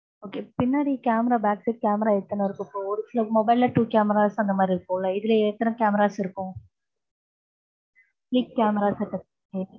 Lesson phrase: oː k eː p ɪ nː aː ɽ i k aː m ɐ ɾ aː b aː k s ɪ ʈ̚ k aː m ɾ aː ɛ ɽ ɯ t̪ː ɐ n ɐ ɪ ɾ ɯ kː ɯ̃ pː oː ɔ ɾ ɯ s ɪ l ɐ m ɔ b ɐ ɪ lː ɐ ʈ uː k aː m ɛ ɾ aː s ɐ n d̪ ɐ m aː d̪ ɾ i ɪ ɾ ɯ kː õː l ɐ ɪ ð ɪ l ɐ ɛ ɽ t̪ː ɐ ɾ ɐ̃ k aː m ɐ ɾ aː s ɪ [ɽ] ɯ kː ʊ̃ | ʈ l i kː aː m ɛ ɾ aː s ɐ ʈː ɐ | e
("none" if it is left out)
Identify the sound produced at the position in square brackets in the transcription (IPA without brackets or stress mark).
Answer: ɾ